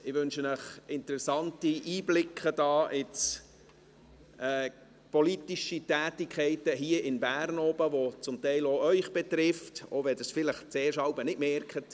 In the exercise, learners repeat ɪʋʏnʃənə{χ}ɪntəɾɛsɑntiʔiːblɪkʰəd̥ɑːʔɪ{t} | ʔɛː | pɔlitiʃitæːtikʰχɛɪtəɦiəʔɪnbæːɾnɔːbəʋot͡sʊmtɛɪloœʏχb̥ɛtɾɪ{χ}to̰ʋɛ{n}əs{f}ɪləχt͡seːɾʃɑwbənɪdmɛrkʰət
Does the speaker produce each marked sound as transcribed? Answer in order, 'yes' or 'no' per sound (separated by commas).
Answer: yes, no, no, no, yes